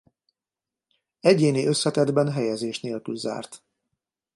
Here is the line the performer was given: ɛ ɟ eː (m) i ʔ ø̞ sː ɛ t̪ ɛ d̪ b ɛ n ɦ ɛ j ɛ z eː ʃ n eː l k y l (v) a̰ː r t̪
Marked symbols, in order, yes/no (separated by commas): no, no